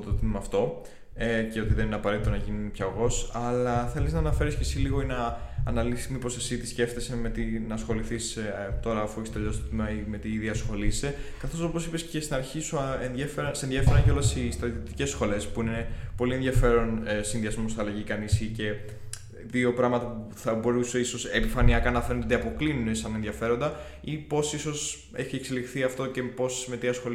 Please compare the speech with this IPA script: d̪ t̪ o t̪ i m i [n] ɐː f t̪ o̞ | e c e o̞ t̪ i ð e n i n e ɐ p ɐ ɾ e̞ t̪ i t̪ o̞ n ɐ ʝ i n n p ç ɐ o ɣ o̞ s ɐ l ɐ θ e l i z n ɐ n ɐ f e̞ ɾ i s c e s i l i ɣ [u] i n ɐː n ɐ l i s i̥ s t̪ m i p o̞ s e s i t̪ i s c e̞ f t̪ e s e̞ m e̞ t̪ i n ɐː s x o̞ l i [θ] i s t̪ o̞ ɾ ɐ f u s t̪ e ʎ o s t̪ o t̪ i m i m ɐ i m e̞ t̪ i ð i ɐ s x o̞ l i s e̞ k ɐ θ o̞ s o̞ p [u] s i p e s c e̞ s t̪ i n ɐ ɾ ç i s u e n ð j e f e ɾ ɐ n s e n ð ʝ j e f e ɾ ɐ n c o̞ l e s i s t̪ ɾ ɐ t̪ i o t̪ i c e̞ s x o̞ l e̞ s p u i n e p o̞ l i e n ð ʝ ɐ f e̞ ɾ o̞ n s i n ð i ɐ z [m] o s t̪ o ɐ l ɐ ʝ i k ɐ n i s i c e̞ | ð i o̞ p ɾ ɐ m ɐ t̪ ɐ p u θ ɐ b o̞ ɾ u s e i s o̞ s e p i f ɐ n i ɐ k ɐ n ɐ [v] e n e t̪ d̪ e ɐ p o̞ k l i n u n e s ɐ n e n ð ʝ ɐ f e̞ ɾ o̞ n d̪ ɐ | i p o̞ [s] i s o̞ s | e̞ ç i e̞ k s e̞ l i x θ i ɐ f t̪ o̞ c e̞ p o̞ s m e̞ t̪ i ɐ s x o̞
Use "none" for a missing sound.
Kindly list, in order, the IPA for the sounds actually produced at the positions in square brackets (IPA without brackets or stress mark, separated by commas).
m, o, θ, o, m, f, s